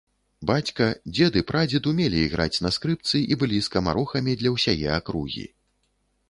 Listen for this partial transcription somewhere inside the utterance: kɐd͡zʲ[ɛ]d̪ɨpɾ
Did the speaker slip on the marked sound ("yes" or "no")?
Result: no